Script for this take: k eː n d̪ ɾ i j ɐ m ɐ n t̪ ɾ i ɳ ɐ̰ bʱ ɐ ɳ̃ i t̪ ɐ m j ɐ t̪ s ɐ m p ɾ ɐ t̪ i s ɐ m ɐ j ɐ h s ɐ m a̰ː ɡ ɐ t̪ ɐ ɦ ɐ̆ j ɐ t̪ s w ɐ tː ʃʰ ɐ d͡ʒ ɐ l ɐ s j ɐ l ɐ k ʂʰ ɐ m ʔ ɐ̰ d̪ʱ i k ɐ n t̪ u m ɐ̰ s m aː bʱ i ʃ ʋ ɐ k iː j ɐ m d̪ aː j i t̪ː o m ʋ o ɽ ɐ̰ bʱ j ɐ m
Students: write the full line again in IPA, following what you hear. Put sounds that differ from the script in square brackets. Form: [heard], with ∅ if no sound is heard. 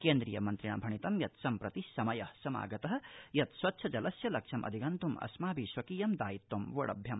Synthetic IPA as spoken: k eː n d̪ ɾ i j ɐ m ɐ n t̪ ɾ i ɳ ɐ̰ bʱ ɐ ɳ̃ i t̪ ɐ m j ɐ t̪ s ɐ m p ɾ ɐ t̪ i s ɐ m ɐ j ɐ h s ɐ m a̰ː ɡ ɐ t̪ ɐ ɦ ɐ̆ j ɐ t̪ s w ɐ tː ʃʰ ɐ d͡ʒ ɐ l ɐ s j ɐ l ɐ k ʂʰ ɐ m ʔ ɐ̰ d̪ʱ i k ɐ n t̪ u m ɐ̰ s m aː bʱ i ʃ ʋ ɐ k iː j ɐ m d̪ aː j i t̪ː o m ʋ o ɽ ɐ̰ bʱ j ɐ m